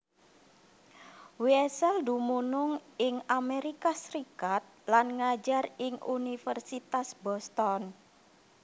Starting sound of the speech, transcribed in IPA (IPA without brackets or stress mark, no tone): w